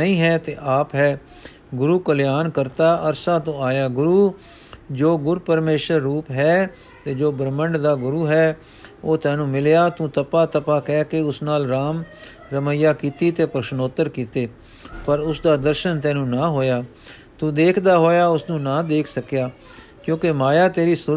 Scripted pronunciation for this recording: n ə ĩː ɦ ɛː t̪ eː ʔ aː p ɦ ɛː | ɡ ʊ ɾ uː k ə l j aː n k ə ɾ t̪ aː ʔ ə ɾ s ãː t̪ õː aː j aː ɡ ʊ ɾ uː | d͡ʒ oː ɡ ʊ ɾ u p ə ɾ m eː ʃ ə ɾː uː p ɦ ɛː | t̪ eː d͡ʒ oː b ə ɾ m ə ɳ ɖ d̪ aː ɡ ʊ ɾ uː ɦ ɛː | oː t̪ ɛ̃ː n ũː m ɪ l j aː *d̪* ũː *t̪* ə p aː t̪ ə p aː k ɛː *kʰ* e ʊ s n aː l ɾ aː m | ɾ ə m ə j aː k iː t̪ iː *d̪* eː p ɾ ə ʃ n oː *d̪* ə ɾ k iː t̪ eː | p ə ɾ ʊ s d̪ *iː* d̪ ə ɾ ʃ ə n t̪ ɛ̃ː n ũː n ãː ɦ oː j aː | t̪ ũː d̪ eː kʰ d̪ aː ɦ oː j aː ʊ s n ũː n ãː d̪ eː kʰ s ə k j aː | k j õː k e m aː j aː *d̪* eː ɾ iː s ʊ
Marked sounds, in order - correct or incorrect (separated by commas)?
incorrect, correct, incorrect, incorrect, incorrect, incorrect, incorrect